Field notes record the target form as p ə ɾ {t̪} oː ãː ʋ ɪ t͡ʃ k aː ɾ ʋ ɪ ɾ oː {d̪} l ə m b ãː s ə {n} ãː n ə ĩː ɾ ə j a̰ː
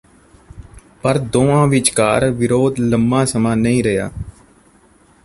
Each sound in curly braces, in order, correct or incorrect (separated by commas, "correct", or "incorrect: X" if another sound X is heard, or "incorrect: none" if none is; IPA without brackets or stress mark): incorrect: d̪, correct, incorrect: m